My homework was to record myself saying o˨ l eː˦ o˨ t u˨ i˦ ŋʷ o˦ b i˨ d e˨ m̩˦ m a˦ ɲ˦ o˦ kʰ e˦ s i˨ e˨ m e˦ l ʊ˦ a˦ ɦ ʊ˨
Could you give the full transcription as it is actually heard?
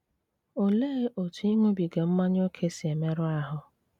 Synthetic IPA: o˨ l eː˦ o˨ t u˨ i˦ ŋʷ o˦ b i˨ ɡ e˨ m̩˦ m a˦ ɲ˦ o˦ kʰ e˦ s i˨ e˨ m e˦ ɾ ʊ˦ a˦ ɦ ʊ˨